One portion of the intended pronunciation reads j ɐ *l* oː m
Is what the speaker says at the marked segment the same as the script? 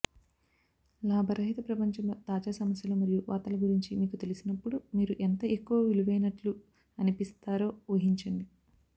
yes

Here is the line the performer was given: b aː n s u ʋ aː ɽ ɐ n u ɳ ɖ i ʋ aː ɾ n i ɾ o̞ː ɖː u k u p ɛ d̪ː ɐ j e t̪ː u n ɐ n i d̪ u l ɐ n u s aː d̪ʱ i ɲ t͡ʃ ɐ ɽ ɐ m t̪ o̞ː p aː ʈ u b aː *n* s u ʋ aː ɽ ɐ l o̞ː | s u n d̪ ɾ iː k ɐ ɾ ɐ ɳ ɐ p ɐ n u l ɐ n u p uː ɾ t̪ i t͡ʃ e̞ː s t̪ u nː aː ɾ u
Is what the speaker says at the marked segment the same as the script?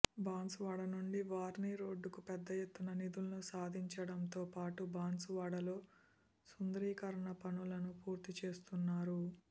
yes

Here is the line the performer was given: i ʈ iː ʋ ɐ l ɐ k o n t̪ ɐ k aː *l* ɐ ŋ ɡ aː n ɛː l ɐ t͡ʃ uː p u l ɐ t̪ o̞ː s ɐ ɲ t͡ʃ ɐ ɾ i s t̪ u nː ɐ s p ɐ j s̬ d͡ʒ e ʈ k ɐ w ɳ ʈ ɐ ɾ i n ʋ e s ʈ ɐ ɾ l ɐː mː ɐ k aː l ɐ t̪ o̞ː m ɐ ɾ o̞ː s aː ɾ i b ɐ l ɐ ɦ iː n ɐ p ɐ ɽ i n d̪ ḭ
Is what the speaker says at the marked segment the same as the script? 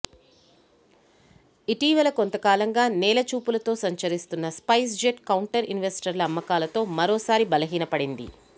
yes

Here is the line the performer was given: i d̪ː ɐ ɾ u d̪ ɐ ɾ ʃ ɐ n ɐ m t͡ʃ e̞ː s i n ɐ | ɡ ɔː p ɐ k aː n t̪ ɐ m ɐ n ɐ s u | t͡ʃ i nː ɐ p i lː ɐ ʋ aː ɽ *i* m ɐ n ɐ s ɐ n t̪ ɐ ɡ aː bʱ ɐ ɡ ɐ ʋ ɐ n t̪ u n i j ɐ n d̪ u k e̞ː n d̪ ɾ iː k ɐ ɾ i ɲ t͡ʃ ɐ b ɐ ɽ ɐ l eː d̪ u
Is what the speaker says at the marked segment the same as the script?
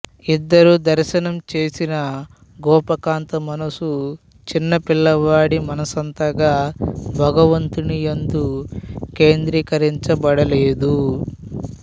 yes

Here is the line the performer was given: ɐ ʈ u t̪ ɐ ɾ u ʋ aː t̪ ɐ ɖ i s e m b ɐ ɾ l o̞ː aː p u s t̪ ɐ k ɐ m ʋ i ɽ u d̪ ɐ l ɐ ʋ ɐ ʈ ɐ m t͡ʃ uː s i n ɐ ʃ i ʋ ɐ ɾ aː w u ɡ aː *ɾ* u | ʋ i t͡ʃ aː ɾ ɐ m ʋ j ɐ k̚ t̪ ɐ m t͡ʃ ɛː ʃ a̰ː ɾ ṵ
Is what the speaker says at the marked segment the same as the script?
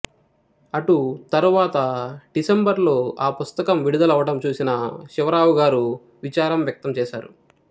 yes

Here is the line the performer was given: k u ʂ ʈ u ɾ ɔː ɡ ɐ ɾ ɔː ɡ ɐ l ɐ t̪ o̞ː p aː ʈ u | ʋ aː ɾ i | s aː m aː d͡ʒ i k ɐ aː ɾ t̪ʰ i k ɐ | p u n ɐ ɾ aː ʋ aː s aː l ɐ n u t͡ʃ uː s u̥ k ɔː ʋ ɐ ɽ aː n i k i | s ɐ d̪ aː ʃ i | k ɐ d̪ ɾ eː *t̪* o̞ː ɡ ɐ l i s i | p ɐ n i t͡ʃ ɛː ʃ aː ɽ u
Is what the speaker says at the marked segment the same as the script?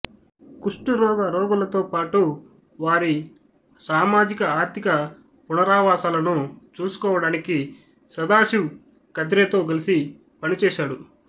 yes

